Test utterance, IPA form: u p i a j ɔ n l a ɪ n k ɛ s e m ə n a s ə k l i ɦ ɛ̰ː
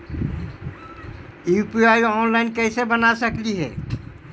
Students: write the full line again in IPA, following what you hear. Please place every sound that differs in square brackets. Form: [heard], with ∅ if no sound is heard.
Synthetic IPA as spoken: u p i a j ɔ n l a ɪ n k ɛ s e [b] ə n a s ə k l i ɦ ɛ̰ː